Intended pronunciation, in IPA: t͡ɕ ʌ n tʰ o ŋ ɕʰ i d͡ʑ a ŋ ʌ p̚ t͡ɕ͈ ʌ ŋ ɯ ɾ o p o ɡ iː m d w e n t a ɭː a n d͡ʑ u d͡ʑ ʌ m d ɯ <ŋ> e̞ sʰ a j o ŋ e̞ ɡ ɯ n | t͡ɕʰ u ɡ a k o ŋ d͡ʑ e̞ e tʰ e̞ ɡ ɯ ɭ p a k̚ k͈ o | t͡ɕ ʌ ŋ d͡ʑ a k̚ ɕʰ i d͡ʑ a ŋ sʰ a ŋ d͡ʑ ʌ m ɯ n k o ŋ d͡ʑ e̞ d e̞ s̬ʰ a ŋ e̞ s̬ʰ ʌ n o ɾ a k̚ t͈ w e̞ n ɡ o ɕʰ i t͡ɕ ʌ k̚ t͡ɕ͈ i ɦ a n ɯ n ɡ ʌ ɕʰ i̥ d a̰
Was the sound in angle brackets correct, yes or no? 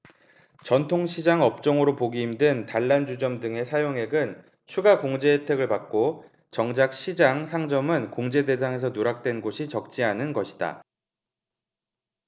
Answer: yes